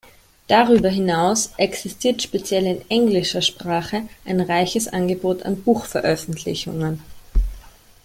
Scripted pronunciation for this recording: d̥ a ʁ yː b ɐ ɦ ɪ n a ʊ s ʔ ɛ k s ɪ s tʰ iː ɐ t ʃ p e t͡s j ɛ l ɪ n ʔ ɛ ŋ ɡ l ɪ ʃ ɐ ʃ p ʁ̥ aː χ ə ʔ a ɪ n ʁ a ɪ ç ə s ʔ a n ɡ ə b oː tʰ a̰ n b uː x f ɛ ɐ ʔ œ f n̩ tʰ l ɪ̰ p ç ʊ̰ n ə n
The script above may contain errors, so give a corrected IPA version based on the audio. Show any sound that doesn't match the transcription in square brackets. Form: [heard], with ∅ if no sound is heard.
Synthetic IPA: d̥ a ʁ yː b ɐ ɦ ɪ n a ʊ s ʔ ɛ k s ɪ s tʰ iː ɐ t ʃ p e t͡s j ɛ l ɪ n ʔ ɛ ŋ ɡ l ɪ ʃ ɐ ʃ p ʁ̥ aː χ ə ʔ a ɪ n ʁ a ɪ ç ə s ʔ a n ɡ ə b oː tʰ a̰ n b uː x f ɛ ɐ ʔ œ f n̩ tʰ l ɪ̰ [∅] ç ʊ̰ [ŋ] ə n